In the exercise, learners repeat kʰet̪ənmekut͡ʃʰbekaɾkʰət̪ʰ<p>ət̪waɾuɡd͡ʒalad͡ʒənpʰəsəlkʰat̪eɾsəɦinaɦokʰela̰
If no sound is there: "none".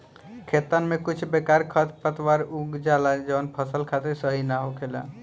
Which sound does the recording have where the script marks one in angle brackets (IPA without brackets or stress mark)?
p